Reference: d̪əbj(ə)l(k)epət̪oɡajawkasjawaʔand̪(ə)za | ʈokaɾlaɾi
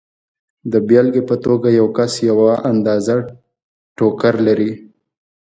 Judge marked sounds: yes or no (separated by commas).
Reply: no, no, no